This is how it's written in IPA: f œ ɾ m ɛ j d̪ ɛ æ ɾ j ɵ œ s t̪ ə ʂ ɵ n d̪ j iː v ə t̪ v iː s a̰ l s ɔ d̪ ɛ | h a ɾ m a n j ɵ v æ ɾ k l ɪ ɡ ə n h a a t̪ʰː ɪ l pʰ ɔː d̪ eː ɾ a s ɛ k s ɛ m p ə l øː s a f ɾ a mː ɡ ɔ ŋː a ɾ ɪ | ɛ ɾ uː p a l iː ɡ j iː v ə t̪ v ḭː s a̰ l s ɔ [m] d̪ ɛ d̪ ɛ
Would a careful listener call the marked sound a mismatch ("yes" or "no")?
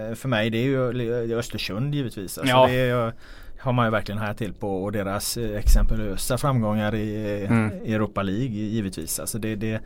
yes